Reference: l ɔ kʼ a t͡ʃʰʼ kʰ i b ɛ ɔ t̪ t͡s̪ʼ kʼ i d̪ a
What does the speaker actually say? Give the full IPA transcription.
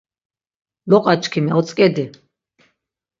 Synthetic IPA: l ɔ qʼ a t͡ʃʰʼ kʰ i m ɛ ɔ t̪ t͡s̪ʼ kʼ ɛ d̪ i